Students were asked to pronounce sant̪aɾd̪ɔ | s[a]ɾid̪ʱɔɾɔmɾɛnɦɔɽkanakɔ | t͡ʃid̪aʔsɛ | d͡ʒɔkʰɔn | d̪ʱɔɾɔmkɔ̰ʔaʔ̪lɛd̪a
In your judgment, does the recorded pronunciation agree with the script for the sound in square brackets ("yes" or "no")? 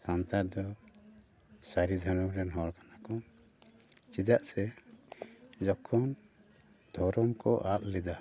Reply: yes